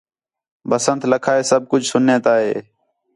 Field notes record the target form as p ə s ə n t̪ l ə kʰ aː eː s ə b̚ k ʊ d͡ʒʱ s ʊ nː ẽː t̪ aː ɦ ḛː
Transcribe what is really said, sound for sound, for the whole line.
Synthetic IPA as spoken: b ə s ə n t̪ l ə kʰ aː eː s ə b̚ k ʊ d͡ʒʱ s ʊ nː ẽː t̪ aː ɦ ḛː